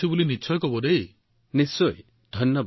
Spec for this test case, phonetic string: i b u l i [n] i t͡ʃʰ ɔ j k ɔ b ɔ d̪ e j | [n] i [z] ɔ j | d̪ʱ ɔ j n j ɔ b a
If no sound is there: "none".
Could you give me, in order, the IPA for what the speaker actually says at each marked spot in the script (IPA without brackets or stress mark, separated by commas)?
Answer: n, n, s